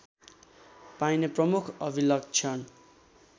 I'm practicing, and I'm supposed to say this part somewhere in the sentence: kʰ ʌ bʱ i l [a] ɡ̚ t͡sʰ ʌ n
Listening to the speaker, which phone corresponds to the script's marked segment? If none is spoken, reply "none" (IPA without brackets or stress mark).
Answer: ʌ